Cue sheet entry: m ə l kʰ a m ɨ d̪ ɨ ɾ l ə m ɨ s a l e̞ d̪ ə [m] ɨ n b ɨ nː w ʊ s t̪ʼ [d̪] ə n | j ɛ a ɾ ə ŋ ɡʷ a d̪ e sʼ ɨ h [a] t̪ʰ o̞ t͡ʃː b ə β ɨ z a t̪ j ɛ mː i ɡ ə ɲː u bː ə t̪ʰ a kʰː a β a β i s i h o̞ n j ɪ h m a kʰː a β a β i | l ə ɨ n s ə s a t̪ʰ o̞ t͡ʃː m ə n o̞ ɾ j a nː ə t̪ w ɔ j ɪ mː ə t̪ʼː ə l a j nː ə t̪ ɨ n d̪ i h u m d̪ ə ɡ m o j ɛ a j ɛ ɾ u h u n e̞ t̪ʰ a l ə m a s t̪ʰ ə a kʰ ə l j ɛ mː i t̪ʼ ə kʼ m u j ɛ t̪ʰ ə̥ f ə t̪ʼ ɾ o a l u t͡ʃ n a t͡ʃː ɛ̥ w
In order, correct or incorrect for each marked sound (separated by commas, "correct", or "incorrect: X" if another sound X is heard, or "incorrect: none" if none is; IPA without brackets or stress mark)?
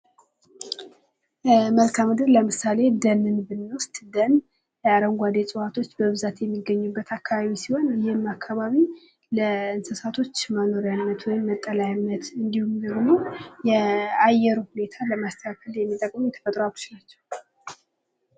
incorrect: n, correct, correct